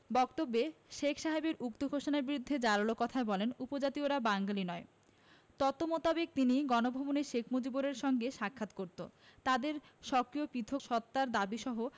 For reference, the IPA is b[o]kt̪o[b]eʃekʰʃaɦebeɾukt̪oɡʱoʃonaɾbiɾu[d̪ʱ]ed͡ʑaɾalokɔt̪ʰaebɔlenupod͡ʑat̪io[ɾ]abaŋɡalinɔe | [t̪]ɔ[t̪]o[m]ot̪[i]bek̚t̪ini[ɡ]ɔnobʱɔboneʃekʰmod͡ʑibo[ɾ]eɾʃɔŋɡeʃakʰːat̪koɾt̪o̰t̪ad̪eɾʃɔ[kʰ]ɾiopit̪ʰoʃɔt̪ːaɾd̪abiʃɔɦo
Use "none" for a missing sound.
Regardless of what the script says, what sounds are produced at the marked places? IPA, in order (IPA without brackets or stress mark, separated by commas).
ɔ, bː, d̪ʱː, ɾ, t̪, t̪, m, a, ɡ, ɾ, k